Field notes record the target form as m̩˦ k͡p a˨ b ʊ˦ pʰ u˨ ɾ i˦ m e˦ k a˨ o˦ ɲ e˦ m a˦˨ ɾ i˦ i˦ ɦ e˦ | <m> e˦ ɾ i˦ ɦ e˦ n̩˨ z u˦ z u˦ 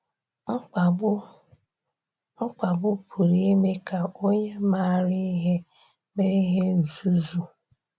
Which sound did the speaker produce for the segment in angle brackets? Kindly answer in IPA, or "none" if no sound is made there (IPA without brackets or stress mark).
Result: m